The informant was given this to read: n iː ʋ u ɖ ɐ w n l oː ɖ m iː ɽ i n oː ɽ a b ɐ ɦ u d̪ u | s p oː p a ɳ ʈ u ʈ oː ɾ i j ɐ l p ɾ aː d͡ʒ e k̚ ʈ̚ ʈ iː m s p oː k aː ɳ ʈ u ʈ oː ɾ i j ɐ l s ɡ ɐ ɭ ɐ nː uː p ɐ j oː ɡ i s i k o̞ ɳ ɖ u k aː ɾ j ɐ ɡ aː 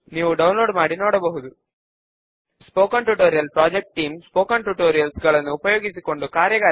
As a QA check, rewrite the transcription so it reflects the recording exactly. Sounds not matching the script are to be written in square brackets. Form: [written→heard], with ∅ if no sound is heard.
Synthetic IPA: n iː ʋ u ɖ ɐ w n l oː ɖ m [iː→aː] ɽ i n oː ɽ [a→ɐ] b ɐ ɦ u d̪ u | s p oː [p→k] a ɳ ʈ u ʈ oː ɾ i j ɐ l p ɾ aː d͡ʒ e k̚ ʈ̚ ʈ iː m s p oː k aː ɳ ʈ u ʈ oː ɾ i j ɐ l s ɡ ɐ ɭ ɐ nː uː p ɐ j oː ɡ i s i k o̞ ɳ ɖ u k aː ɾ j ɐ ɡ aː